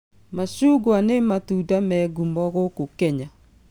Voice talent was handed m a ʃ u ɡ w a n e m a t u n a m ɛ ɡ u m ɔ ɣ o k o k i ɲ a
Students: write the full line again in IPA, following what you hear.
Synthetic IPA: m a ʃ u ɡ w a n e m a t u d a m ɛ ɡ u m ɔ ɣ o k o k ɛ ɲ a